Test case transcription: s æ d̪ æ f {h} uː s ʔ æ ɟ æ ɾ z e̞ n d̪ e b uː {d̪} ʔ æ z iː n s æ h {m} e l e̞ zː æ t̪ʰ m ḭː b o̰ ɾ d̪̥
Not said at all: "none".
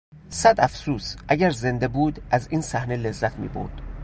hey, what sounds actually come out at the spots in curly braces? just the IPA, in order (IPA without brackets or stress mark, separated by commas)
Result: s, d̪, n